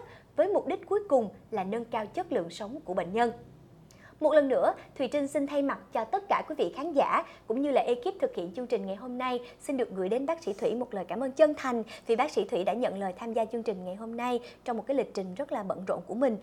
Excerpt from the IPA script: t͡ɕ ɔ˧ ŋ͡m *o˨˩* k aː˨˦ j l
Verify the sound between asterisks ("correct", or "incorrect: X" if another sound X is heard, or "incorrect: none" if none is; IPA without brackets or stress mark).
correct